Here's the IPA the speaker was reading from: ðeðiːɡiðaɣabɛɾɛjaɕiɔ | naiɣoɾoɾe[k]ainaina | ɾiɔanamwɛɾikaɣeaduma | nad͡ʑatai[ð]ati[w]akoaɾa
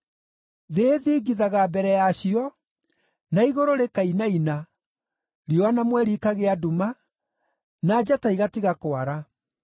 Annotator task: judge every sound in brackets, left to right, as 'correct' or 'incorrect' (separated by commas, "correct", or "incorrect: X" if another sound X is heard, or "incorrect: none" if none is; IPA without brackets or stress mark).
correct, incorrect: ɣ, incorrect: ɣ